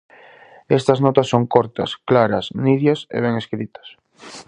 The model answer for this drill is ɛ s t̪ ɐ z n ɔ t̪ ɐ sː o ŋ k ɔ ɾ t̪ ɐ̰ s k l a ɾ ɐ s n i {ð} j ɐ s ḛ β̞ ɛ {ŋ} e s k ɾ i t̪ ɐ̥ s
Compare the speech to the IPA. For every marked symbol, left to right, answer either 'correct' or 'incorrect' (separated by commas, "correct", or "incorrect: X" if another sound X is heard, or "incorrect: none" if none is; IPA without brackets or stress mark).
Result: correct, correct